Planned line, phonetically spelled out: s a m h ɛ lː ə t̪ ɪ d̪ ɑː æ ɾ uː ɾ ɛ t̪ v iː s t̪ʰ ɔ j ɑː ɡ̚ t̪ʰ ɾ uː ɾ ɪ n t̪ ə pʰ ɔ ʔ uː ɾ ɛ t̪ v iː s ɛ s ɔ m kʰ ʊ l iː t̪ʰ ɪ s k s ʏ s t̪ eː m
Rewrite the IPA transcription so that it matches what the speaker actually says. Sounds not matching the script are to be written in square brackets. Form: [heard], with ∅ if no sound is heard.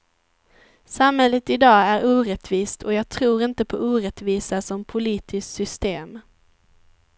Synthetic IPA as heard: s a m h ɛ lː ə t̪ ɪ d̪ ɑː æ ɾ uː ɾ ɛ t̪ v iː s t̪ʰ ɔ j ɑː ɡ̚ t̪ʰ ɾ uː ɾ ɪ n t̪ ə pʰ ɔ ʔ uː ɾ ɛ t̪ v iː s [a] s ɔ m [pʰ] ʊ l iː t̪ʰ ɪ s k s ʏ s t̪ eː m